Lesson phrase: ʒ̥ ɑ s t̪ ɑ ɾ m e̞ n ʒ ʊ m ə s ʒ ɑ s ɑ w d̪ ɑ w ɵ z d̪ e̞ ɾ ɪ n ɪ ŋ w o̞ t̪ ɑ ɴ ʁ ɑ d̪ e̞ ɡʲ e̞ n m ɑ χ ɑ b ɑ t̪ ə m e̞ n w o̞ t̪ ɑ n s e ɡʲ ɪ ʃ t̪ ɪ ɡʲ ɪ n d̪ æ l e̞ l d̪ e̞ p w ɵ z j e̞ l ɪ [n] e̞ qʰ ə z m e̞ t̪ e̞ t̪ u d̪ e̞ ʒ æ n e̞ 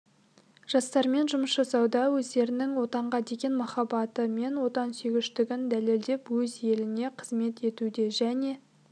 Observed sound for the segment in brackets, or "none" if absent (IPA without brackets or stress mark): n